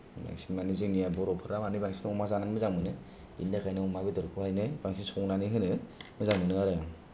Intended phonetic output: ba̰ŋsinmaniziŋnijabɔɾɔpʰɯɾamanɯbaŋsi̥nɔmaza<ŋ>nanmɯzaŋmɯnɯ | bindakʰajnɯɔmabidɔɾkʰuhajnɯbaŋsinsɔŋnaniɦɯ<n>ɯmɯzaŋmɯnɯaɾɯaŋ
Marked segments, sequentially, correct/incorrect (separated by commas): incorrect, correct